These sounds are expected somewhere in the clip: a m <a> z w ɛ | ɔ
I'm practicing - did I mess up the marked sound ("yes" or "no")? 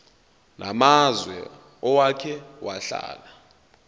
no